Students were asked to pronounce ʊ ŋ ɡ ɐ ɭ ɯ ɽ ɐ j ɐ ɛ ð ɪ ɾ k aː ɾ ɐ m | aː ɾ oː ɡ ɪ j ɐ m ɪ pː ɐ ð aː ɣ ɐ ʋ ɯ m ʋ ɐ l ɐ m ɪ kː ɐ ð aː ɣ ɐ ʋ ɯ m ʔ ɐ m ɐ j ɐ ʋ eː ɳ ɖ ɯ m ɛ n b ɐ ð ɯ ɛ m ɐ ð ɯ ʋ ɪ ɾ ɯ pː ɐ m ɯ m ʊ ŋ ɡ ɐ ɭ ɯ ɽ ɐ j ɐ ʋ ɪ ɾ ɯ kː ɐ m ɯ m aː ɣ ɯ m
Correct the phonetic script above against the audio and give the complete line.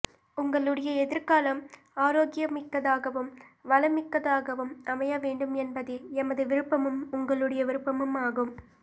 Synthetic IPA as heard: ʊ ŋ ɡ ɐ ɭ ɯ ɽ ɐ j ɐ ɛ ð ɪ ɾ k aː l ɐ m | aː ɾ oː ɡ ɪ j ɐ m ɪ kː ɐ ð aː ɣ ɐ ʋ ɯ m ʋ ɐ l ɐ m ɪ kː ɐ ð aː ɣ ɐ ʋ ɯ m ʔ ɐ m ɐ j ɐ ʋ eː ɳ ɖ ɯ m ɛ n b ɐ ð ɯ ɛ m ɐ ð ɯ ʋ ɪ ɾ ɯ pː ɐ m ɯ m ʊ ŋ ɡ ɐ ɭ ɯ ɽ ɐ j ɐ ʋ ɪ ɾ ɯ pː ɐ m ɯ m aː ɣ ɯ m